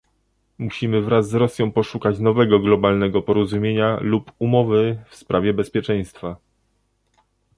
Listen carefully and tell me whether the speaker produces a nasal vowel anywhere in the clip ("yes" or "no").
yes